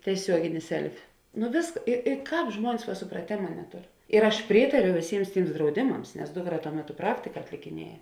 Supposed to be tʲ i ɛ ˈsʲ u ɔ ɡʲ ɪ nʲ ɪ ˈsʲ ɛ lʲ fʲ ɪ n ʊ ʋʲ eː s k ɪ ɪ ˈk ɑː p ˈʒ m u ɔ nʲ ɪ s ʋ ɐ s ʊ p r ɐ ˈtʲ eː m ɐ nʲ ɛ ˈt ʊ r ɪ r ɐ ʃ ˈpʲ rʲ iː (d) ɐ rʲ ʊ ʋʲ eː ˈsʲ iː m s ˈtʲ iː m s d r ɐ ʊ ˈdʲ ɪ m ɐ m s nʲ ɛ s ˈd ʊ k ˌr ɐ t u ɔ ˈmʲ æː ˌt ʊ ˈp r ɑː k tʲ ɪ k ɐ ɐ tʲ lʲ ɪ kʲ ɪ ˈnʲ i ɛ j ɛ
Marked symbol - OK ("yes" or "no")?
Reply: no